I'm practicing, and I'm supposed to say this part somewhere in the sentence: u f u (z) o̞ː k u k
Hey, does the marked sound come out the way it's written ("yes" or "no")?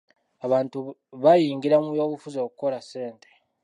yes